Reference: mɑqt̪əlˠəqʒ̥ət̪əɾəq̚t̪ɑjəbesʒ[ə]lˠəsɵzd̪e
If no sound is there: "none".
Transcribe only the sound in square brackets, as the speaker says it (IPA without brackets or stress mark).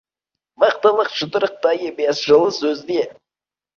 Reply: ə